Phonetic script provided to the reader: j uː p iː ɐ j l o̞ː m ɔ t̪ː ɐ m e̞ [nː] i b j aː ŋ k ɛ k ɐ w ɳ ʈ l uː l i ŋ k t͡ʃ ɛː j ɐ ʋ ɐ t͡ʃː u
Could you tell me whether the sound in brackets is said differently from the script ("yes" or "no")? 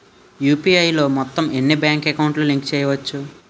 no